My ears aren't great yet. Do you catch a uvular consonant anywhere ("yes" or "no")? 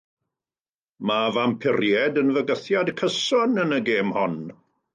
no